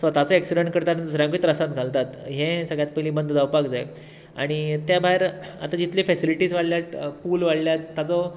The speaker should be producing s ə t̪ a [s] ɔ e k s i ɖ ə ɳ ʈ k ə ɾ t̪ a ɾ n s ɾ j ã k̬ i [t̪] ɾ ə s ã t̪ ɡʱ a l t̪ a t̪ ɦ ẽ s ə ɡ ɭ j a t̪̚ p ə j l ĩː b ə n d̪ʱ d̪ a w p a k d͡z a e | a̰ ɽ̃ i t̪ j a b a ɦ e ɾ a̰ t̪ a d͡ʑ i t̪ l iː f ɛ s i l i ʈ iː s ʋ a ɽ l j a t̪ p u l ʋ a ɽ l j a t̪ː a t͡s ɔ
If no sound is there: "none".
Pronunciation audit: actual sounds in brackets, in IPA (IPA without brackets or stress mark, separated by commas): t͡s, t̪